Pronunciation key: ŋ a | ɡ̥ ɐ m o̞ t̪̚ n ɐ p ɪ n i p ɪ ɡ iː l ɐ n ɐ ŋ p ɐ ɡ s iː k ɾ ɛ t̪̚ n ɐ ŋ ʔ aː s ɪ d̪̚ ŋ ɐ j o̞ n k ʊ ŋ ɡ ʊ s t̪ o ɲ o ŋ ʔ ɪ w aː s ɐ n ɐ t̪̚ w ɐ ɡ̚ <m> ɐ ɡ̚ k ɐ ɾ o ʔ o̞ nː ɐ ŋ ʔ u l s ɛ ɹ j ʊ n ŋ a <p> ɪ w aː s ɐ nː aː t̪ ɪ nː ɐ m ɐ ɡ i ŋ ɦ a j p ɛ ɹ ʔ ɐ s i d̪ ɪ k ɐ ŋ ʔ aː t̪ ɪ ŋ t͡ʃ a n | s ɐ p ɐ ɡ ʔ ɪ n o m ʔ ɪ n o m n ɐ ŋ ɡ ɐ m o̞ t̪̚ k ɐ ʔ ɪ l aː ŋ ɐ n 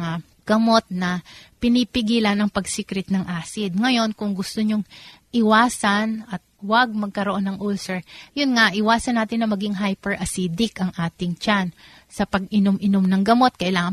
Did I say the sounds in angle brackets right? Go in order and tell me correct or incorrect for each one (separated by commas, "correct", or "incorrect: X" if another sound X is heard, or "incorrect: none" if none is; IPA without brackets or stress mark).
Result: correct, incorrect: ʔ